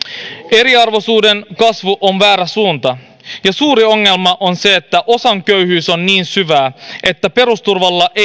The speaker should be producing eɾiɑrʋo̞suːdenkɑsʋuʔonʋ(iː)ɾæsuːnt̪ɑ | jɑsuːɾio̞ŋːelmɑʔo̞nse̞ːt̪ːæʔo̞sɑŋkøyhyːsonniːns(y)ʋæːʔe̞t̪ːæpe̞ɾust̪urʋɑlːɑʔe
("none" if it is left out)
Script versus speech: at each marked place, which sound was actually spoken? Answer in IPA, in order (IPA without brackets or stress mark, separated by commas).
æː, y